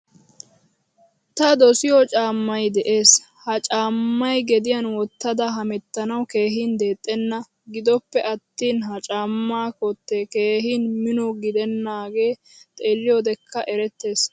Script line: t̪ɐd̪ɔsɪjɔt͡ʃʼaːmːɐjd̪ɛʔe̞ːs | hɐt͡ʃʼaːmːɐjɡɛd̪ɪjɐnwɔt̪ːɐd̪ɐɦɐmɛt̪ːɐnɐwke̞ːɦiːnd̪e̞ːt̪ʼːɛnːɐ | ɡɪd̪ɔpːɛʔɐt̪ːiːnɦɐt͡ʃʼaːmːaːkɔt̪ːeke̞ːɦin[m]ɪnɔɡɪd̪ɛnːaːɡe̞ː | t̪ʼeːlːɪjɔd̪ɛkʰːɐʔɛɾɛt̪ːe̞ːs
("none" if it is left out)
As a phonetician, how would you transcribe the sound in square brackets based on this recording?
m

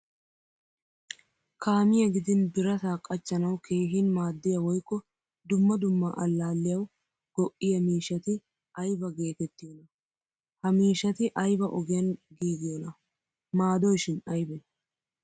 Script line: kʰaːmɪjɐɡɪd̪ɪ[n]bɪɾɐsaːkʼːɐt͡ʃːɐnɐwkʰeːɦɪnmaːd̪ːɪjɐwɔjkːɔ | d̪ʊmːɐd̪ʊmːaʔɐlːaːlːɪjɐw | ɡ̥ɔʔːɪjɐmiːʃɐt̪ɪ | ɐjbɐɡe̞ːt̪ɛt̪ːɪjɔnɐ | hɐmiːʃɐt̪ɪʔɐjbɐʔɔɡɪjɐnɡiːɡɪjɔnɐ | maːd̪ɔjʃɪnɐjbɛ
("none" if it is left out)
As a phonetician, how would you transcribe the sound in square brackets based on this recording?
n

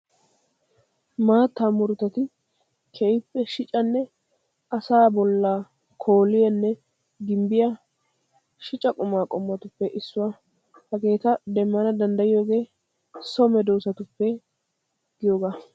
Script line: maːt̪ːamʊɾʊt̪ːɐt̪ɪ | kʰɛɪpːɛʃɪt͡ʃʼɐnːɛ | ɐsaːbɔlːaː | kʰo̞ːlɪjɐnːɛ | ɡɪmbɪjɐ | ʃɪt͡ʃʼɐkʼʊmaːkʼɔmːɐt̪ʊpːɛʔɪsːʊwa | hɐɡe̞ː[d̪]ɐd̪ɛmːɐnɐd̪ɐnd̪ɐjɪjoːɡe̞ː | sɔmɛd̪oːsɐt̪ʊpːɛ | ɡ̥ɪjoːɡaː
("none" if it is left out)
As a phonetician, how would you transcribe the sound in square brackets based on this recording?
t̪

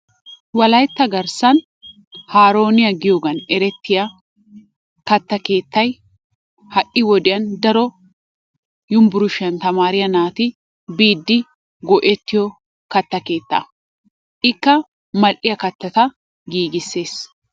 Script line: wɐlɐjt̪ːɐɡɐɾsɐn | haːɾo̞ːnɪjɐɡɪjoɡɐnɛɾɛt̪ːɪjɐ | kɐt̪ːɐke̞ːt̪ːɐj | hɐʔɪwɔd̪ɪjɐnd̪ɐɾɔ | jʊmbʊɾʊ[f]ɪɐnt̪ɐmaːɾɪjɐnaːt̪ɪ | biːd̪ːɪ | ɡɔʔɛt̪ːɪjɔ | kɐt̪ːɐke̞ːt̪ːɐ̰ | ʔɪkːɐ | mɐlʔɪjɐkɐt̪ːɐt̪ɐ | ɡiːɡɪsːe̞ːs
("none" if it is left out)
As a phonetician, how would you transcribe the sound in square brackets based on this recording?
ʃ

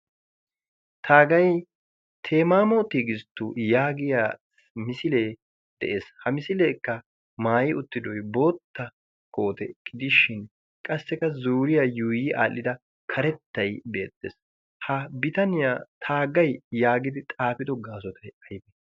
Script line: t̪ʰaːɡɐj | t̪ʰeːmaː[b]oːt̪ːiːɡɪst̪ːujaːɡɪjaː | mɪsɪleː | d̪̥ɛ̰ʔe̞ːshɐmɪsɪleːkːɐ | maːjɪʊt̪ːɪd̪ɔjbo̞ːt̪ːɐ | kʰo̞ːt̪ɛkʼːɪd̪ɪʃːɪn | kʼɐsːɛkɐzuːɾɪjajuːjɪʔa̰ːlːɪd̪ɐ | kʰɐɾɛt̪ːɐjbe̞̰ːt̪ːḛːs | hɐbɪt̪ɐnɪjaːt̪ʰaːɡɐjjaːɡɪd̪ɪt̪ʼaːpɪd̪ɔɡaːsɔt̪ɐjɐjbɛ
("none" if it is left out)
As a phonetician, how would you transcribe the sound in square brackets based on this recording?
m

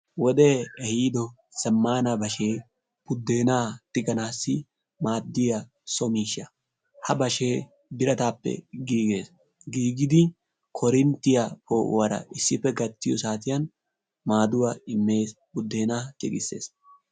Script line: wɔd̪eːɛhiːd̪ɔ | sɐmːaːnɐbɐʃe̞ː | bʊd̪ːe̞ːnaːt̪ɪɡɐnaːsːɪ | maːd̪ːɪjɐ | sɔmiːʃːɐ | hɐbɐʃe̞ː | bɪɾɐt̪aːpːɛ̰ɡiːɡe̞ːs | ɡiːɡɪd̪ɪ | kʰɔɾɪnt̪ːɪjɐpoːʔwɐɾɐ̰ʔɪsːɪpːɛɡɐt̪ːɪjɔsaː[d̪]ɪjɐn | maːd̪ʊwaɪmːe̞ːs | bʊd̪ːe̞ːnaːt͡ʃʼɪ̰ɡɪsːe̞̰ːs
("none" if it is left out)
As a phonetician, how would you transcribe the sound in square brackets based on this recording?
t̪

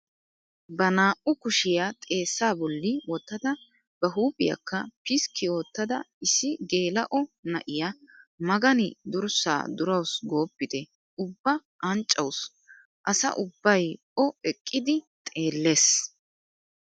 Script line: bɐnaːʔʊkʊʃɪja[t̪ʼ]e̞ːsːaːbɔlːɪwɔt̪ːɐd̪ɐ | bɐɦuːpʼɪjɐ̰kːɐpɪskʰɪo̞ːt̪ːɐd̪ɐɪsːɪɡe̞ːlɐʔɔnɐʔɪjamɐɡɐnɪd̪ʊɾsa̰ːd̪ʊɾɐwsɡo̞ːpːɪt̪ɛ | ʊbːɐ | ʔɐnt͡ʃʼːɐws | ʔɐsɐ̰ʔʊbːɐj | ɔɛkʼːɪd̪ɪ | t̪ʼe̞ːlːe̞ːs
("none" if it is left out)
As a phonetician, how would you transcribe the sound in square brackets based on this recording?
t̪ʼ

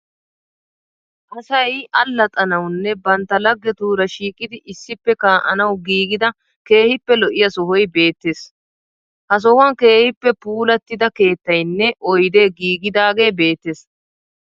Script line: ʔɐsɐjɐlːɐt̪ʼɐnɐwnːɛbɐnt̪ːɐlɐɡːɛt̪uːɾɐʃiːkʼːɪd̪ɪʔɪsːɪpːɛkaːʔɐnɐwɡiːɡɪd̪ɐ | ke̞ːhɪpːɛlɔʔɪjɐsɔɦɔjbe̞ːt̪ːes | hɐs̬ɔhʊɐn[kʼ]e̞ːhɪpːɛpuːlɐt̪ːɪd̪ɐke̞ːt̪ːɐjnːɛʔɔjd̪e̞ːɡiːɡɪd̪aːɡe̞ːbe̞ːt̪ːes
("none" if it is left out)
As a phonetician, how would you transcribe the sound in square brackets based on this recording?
k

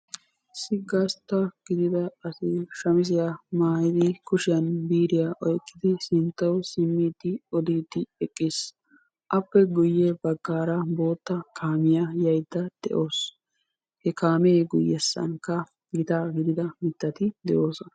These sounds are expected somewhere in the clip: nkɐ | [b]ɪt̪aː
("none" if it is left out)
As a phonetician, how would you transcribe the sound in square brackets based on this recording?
ɡ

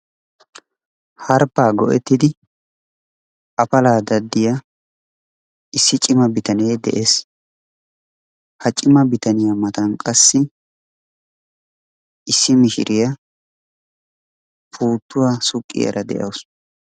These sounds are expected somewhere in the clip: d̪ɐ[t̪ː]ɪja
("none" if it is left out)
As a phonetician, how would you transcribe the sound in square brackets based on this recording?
d̪ː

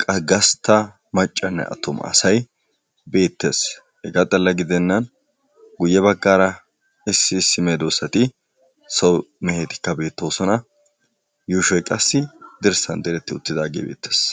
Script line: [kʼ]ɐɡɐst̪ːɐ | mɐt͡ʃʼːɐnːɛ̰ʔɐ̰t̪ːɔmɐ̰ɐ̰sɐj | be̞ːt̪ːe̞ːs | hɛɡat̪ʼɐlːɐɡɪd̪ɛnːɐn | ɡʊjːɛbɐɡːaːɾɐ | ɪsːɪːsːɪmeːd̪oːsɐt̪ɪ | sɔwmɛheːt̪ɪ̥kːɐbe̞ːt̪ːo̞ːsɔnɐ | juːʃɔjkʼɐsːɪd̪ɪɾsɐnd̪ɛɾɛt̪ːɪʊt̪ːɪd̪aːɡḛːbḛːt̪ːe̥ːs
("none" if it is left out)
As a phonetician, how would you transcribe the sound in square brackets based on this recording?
kʼ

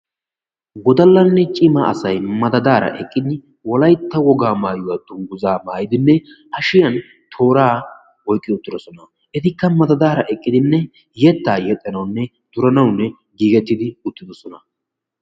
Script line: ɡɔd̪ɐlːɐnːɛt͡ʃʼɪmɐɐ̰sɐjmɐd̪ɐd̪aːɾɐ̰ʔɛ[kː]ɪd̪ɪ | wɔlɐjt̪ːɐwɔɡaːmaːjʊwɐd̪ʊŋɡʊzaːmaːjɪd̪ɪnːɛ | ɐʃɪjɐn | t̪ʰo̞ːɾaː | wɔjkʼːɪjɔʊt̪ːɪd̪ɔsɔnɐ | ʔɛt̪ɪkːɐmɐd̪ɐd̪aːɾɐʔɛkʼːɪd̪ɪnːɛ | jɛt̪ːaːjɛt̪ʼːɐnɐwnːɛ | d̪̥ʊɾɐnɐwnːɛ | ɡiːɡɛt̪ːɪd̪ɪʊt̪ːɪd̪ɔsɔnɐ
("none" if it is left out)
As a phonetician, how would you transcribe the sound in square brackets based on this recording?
kʼː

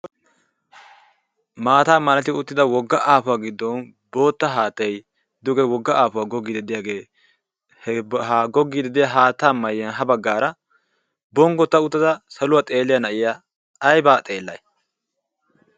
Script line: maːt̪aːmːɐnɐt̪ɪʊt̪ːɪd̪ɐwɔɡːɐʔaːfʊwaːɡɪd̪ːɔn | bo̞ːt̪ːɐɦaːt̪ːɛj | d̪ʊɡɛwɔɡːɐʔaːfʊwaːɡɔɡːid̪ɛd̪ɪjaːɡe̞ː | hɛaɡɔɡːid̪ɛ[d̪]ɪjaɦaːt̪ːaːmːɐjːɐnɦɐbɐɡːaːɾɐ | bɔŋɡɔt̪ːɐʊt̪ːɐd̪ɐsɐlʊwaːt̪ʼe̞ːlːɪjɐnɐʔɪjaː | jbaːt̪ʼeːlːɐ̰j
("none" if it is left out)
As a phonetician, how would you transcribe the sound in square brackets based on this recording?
d̪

